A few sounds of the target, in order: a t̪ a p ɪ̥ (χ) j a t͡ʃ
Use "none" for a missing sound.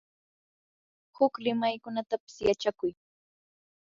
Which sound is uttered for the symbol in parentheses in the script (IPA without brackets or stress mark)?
s